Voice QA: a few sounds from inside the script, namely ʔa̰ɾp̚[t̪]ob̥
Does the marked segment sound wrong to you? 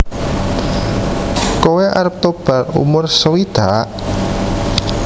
no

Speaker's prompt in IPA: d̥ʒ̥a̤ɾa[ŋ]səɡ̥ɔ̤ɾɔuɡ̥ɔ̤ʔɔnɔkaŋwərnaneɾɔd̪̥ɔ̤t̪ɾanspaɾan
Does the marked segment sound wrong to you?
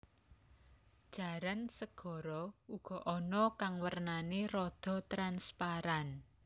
yes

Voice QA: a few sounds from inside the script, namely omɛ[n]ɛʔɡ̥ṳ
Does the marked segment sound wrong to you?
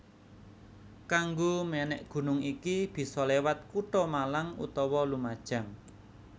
no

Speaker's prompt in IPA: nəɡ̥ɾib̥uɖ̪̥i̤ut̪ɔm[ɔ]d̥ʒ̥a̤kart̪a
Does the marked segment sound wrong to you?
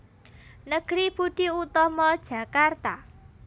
no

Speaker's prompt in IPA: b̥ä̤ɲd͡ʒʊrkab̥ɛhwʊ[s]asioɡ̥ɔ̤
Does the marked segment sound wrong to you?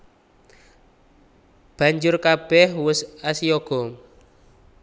no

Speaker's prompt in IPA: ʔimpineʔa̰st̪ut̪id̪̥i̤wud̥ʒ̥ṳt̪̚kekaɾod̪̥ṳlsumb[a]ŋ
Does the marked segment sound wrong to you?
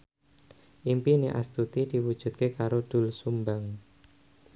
no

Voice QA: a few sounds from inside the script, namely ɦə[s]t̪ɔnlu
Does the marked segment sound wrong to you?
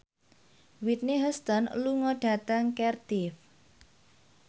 no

